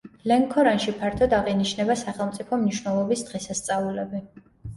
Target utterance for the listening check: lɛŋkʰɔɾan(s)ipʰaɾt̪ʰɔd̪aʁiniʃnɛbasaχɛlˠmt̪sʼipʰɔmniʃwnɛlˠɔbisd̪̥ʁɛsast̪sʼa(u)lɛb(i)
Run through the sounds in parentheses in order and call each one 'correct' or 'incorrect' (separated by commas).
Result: incorrect, correct, correct